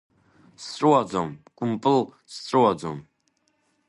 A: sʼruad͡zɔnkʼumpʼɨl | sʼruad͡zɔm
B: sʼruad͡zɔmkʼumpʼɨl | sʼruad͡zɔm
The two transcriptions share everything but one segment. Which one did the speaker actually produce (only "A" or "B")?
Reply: B